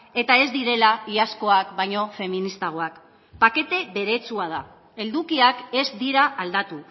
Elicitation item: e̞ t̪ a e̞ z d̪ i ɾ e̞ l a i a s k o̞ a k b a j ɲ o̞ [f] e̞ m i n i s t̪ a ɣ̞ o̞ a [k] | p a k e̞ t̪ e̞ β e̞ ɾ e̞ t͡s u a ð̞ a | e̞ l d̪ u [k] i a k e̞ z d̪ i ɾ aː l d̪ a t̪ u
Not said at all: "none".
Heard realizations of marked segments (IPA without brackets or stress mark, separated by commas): f, k, k